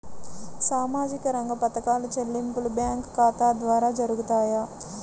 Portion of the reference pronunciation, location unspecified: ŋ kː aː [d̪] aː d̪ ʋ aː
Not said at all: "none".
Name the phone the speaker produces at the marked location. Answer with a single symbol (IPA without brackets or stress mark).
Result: t̪